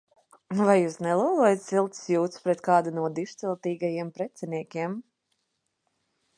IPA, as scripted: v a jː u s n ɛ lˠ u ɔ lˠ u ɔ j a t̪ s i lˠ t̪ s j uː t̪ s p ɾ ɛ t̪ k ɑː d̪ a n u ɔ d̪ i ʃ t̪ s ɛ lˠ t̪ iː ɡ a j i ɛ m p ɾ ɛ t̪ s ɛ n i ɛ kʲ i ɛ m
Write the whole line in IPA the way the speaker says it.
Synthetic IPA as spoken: v a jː uː s n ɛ lˠ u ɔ lˠ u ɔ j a t̪ s i lˠ t̪ s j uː t̪ s p ɾ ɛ t̪ k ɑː d̪ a n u ɔ d̪ i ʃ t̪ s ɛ lˠ t̪ iː ɡ a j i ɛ m p ɾ ɛ t̪ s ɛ n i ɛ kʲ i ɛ m